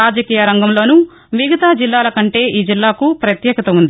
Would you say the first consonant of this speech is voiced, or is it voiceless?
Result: voiced